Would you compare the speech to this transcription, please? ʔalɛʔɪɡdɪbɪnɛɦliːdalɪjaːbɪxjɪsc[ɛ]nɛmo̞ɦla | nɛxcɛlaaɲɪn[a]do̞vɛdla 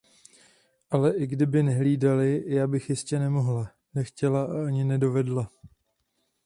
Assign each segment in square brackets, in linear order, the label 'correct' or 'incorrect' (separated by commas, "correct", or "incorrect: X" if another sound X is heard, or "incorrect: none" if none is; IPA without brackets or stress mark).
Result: correct, incorrect: ɛ